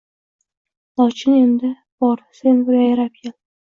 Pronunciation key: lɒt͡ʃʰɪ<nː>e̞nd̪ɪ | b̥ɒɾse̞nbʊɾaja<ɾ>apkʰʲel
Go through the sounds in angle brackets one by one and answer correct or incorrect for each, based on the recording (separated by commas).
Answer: incorrect, correct